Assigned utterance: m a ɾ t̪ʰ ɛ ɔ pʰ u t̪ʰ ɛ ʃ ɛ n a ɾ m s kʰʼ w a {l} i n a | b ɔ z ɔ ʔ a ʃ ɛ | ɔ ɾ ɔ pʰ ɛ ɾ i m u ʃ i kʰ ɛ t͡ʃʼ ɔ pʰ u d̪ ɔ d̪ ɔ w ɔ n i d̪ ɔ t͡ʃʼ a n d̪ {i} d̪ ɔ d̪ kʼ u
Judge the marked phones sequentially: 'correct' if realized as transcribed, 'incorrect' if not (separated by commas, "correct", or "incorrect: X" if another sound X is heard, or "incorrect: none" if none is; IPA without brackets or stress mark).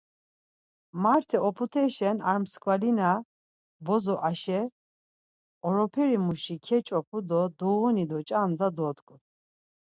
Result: correct, incorrect: a